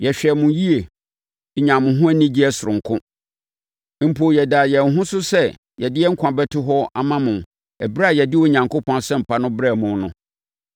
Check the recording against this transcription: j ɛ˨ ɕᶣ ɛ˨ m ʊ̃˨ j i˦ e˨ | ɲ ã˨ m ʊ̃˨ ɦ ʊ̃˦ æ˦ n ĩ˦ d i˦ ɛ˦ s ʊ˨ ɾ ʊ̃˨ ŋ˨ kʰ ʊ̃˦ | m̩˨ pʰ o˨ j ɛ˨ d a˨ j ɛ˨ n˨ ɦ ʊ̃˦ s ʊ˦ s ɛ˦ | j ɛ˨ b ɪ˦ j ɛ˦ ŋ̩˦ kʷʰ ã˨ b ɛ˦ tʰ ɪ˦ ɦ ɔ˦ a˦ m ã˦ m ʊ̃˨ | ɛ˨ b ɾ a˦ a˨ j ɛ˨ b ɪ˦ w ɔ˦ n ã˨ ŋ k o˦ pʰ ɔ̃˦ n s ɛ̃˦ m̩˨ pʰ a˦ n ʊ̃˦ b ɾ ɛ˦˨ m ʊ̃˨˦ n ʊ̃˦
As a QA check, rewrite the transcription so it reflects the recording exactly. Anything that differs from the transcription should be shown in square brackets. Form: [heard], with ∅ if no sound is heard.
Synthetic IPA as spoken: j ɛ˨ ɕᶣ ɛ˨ m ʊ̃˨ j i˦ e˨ | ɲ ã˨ m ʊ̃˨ ɦ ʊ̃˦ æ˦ n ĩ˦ [d͡ʑ] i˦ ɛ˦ s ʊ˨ ɾ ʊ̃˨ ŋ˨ kʰ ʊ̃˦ | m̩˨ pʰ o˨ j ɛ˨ d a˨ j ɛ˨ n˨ ɦ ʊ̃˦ s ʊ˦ s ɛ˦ | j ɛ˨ [d] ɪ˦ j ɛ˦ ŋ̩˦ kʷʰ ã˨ b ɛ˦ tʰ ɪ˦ ɦ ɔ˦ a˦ m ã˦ m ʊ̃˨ | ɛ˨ b ɾ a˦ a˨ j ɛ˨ [d] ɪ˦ w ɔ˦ [ɲ] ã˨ ŋ k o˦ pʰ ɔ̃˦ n s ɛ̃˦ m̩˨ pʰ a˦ n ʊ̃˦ b ɾ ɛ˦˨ m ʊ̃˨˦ n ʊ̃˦

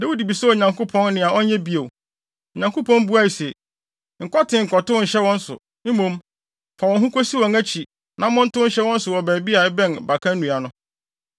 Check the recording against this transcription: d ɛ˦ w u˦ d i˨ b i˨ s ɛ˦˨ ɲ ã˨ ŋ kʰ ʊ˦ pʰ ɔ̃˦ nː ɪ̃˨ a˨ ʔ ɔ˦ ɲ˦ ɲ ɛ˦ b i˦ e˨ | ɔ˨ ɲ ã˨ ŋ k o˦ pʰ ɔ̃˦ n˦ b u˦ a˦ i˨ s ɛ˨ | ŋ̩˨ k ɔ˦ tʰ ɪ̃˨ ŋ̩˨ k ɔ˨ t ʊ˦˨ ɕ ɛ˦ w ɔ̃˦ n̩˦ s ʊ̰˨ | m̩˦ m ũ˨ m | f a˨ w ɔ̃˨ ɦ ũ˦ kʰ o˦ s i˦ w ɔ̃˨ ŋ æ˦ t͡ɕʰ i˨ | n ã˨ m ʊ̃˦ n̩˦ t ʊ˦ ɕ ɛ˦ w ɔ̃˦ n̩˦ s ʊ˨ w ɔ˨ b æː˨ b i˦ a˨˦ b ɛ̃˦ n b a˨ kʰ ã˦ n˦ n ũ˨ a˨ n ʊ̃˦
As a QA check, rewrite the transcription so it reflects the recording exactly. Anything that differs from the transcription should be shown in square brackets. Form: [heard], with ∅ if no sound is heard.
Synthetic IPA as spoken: d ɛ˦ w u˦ d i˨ b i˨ s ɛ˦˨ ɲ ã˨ ŋ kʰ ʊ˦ pʰ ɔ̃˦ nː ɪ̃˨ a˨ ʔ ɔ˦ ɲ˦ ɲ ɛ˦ b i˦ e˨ | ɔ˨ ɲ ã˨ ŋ k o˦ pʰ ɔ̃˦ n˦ b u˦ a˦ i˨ s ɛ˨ | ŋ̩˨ k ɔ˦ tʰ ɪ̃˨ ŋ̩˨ k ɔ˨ t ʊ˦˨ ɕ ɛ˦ w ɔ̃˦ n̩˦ s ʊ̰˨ | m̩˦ m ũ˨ m | f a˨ w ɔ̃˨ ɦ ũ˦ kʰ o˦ s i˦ w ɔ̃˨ ŋ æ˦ t͡ɕʰ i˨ | n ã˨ m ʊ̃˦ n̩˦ t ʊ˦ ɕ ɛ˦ w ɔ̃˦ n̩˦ s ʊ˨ w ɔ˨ b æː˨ b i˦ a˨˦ b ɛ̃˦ n b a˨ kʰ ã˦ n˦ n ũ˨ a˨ n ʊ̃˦

